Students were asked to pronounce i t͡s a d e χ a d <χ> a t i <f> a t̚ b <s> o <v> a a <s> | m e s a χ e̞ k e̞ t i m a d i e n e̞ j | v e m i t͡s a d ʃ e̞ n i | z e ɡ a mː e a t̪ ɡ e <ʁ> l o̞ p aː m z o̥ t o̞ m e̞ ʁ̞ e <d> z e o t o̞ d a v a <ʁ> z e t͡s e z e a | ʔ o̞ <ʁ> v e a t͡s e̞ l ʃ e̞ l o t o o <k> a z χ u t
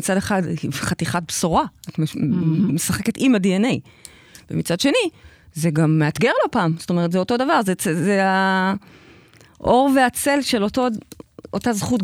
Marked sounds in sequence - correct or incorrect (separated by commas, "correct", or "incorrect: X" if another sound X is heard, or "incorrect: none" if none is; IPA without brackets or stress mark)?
correct, incorrect: χ, correct, incorrect: ʁ, incorrect: t, correct, incorrect: t, correct, correct, incorrect: t